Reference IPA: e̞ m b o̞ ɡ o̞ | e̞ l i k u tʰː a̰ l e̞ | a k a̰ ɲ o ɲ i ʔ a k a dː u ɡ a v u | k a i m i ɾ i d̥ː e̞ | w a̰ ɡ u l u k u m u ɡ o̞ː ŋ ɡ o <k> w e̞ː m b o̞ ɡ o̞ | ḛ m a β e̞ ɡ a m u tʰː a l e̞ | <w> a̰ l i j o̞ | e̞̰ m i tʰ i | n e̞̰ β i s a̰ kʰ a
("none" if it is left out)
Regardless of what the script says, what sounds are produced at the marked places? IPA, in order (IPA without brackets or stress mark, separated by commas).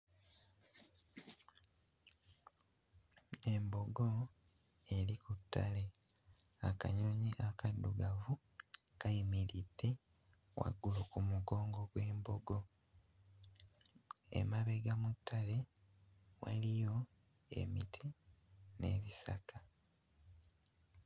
ɡ, w